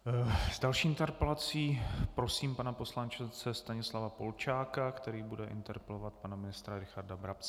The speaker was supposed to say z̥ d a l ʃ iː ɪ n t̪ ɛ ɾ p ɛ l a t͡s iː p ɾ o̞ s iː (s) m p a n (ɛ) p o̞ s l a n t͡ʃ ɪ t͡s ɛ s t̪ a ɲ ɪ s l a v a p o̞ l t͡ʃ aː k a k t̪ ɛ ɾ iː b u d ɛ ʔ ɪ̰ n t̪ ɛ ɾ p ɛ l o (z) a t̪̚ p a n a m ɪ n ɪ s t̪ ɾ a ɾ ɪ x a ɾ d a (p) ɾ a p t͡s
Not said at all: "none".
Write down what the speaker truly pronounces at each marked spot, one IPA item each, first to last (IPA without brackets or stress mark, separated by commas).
none, a, v, b